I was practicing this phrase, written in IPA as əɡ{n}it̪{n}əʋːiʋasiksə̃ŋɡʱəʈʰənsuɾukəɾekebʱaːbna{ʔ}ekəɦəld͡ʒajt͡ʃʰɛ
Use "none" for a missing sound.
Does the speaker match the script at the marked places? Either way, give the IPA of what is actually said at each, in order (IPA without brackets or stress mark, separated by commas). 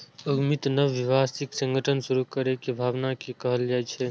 m, n, k